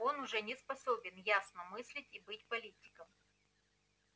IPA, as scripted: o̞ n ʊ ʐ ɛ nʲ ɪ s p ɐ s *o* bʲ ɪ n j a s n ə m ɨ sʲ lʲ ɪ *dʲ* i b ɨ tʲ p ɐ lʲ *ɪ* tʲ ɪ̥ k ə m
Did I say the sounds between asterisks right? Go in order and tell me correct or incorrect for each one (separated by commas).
correct, incorrect, incorrect